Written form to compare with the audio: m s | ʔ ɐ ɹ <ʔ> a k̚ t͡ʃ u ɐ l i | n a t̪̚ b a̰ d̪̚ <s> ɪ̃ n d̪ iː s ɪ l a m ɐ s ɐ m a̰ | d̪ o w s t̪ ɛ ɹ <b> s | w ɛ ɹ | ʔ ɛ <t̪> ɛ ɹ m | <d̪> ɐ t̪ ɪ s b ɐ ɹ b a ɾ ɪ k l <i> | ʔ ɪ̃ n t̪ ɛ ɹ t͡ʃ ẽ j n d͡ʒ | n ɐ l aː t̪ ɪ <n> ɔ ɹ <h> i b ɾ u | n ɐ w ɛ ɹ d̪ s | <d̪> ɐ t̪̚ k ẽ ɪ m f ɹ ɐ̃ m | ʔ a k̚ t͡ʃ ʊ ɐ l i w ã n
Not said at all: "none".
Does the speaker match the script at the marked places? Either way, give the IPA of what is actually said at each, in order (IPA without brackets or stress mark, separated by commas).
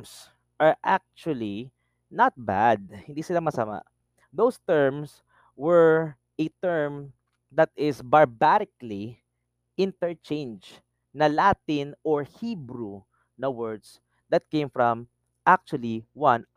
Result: ʔ, h, m, t̪, d̪, i, n, h, d̪